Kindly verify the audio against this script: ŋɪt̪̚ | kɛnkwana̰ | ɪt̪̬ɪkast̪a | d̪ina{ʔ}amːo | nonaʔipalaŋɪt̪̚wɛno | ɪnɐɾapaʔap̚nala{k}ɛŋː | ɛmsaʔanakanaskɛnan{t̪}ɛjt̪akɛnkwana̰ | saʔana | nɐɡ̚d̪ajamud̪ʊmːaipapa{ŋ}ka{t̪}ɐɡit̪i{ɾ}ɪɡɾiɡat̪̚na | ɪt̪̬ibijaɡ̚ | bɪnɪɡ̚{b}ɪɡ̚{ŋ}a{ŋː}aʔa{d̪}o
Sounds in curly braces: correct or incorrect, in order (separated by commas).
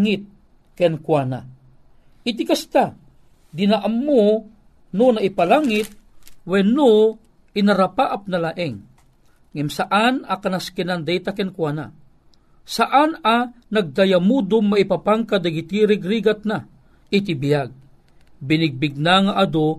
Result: correct, incorrect, incorrect, correct, incorrect, correct, correct, incorrect, incorrect, correct